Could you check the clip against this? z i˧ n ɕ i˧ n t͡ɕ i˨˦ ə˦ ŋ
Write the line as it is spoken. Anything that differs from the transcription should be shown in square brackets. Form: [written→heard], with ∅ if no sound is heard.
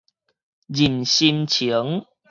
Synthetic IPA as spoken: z [i˧→i˨˩] n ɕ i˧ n [t͡ɕ→t͡ɕʰ] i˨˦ ə˦ ŋ